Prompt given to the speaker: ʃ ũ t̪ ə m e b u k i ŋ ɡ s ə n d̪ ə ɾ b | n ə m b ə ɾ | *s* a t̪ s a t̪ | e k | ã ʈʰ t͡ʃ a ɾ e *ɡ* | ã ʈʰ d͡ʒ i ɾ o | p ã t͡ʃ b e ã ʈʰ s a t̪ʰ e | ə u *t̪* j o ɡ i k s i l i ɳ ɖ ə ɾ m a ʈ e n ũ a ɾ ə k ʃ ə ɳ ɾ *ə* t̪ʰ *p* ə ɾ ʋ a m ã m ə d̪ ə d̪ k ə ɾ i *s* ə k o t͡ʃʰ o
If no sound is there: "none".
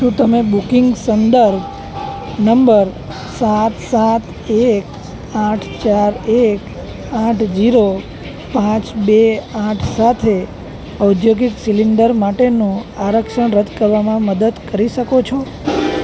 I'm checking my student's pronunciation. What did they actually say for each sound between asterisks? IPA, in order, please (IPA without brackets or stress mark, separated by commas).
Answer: s, k, d̪, ə, k, ʃ